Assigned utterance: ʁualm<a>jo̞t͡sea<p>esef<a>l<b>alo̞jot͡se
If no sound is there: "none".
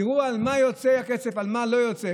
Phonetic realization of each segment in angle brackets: a, k, a, m

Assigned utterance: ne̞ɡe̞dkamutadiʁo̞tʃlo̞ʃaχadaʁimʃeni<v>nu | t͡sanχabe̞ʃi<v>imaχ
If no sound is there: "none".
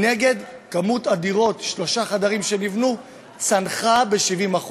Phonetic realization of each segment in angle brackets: v, v

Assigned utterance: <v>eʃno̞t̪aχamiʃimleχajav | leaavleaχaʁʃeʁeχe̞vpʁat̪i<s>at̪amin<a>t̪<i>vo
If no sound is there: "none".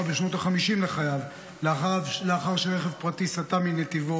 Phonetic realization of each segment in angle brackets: b, s, e, i

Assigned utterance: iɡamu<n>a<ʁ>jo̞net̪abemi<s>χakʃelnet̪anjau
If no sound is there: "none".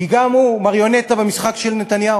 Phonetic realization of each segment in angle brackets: m, ʁ, s

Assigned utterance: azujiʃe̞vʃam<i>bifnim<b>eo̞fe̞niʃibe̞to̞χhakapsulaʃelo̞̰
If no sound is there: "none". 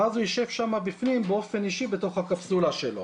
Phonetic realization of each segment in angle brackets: a, b

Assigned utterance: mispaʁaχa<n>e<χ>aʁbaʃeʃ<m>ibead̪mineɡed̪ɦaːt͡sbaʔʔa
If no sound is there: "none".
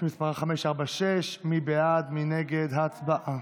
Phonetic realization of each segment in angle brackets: m, ʃ, m

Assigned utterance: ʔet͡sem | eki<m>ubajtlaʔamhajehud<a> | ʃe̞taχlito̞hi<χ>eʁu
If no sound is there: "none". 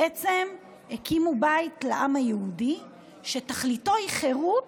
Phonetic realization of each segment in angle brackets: m, i, χ

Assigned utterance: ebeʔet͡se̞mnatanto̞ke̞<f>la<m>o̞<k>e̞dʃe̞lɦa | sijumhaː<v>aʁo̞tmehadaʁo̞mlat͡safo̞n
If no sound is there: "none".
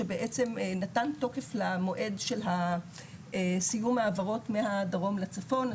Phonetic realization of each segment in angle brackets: f, m, ʔ, v

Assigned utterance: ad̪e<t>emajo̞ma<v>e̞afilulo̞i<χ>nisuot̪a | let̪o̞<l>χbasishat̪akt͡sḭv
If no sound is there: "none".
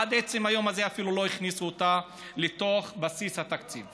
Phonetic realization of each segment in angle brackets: t͡s, z, χ, none

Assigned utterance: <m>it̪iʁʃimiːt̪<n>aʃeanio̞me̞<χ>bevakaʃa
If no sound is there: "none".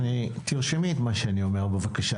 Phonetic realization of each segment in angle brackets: n, m, ʁ

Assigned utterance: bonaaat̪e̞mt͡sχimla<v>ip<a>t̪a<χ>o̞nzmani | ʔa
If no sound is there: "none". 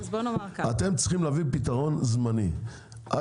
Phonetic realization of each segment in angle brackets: v, i, ʁ

